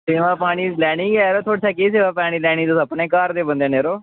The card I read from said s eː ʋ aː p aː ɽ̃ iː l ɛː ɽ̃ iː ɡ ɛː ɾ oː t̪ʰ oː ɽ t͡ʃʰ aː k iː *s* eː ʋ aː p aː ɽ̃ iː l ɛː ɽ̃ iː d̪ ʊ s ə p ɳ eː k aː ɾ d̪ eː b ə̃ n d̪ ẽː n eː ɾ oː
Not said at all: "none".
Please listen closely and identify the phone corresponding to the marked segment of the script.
s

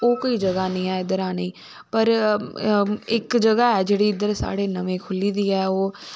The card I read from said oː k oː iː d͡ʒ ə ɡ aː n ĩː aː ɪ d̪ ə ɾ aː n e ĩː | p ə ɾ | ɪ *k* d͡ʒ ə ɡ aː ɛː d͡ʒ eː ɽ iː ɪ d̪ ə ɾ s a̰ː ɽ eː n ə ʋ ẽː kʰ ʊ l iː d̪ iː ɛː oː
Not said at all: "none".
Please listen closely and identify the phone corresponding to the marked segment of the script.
k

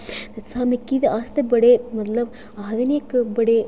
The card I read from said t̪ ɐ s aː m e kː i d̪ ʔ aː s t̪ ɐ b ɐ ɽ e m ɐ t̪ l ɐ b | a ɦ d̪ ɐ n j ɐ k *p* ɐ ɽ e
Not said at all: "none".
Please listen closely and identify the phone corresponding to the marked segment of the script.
b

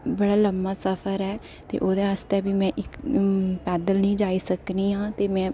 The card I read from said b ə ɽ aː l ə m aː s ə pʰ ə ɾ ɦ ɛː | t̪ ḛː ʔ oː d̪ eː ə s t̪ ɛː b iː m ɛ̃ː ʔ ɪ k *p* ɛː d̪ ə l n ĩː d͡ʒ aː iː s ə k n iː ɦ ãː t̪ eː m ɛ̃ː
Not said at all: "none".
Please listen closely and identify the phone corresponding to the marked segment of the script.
p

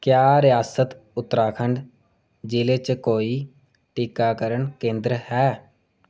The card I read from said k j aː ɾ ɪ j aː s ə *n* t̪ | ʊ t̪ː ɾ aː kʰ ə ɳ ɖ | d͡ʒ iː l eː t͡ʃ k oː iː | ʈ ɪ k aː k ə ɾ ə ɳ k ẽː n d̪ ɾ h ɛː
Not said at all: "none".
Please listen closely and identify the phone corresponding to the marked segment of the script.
none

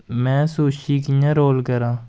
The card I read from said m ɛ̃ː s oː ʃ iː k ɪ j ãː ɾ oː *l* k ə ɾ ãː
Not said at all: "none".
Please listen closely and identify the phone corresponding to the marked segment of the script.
l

